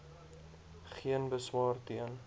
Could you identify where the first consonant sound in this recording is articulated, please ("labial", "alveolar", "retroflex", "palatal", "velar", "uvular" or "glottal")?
uvular